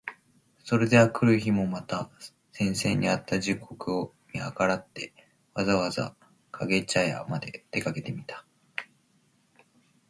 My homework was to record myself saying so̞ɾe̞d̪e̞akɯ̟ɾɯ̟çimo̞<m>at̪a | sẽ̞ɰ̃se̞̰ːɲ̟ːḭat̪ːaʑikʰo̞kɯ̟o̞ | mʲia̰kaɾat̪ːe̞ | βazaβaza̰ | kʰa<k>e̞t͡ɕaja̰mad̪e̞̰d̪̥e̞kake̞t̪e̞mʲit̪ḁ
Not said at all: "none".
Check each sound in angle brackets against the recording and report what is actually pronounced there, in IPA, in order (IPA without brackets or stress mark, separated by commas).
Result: m, ɡ